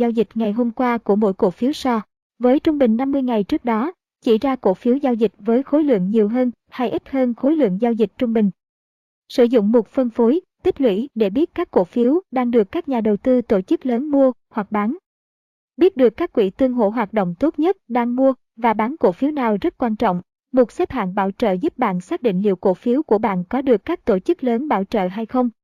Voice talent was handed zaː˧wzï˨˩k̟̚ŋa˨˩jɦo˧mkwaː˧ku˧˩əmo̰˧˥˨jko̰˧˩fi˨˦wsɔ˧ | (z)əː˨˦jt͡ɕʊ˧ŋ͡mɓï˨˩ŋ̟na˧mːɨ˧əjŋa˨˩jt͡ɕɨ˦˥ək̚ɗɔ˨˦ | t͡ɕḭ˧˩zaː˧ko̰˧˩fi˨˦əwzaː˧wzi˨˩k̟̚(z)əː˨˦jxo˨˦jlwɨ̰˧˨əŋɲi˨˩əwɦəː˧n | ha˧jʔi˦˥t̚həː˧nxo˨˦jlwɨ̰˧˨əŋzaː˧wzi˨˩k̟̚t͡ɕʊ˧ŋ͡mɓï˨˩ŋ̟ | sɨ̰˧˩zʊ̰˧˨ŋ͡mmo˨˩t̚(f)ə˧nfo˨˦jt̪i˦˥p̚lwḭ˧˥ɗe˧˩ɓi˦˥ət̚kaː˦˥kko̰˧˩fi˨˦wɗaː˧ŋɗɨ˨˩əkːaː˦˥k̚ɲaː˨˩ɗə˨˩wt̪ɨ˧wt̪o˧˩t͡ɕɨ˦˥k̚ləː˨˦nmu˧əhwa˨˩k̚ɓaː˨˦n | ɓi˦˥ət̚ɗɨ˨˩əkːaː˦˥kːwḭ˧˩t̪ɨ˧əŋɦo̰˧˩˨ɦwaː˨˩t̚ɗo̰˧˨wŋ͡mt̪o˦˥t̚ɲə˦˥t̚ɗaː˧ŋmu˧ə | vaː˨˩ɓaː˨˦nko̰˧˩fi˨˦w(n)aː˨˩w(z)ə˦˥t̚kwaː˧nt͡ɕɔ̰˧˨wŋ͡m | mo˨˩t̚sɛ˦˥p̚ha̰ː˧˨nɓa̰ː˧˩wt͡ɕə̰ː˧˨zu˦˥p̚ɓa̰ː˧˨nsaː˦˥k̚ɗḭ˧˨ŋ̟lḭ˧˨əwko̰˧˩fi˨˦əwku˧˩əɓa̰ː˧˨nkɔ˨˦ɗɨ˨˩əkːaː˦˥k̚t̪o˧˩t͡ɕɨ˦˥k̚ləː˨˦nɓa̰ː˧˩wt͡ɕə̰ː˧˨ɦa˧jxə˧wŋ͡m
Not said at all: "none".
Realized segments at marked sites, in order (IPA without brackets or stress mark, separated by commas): v, v, f, n, z